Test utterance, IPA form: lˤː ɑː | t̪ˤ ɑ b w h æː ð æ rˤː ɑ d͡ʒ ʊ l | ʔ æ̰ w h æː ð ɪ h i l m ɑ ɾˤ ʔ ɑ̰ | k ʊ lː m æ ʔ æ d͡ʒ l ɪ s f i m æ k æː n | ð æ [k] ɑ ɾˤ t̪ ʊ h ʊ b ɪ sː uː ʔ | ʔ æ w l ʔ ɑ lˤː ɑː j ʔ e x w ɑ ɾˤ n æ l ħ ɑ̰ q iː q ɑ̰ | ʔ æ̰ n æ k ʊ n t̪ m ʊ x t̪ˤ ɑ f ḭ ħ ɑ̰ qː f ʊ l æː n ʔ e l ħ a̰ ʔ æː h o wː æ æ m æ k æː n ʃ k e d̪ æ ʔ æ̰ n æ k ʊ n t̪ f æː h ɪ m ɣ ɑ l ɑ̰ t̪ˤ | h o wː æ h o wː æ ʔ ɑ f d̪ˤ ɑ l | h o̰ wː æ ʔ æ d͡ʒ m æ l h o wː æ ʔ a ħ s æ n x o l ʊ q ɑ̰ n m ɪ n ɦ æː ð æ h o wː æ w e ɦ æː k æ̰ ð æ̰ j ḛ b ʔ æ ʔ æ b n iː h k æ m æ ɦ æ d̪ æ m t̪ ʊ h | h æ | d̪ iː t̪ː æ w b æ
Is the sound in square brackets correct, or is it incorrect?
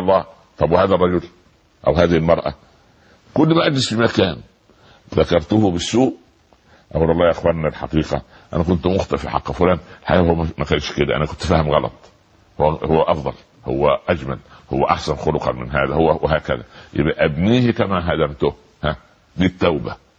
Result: correct